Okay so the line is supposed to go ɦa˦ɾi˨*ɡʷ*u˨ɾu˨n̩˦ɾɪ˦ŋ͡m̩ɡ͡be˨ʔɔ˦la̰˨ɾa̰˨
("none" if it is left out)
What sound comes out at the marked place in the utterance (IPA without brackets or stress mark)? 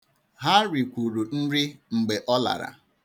kʷ